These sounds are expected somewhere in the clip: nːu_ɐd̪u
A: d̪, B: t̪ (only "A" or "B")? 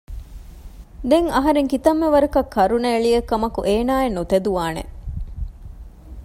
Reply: B